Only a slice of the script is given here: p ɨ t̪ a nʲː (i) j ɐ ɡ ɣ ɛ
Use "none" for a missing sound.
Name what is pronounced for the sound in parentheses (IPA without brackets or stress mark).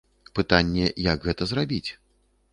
ɛ